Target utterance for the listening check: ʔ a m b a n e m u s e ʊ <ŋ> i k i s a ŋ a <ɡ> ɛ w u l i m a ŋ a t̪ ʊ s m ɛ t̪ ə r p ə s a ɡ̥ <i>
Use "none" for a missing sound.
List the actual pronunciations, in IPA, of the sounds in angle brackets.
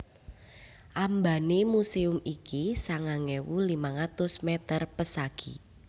m, ŋ, i

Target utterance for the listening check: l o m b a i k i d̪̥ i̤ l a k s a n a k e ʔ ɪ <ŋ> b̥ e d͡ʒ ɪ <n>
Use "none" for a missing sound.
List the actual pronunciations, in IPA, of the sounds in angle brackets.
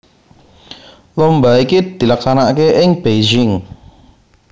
ŋ, ŋ

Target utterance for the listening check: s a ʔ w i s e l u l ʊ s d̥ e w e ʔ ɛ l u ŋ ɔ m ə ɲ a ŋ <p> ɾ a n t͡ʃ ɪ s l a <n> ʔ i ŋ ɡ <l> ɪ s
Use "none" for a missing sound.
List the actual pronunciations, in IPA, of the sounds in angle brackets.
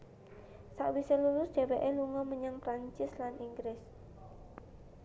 p, n, ɾ

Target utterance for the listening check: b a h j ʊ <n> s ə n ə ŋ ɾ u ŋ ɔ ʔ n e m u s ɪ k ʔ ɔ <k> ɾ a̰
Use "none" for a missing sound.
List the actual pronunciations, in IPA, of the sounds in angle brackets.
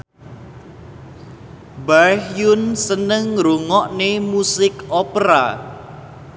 n, p

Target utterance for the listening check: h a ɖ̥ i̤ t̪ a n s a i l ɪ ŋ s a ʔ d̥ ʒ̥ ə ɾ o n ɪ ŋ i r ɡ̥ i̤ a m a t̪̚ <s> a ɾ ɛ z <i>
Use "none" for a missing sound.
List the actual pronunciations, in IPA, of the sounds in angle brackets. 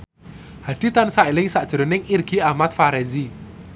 f, i

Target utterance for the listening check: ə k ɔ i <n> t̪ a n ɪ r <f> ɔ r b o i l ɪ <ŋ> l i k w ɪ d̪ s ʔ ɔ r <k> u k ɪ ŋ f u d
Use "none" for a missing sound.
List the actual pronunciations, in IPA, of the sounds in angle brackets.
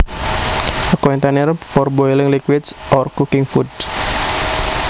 n, f, ŋ, k

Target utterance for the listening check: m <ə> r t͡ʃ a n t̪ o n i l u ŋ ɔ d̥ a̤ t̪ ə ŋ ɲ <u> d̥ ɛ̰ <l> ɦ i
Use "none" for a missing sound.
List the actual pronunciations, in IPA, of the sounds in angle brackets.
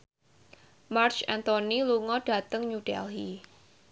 a, u, l

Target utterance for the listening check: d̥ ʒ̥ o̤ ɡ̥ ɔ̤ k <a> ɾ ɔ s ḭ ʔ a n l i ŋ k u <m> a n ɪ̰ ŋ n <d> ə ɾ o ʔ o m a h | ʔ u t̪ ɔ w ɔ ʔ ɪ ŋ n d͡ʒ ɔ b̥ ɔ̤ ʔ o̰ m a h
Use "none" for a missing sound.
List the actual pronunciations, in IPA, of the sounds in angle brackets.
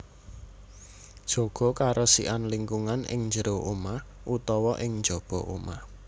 a, ŋ, d͡ʒ

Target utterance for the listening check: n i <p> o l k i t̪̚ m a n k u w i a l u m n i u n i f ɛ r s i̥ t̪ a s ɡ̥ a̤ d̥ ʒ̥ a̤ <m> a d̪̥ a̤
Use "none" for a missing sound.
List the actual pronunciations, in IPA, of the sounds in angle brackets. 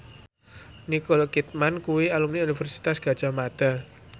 k, m

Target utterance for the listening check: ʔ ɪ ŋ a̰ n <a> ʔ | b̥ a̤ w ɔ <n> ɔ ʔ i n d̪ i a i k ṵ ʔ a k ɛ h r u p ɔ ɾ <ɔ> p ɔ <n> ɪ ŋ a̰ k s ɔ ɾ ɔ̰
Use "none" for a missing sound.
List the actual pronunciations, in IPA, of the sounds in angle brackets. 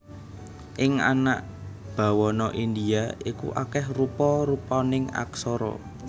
a, n, u, n

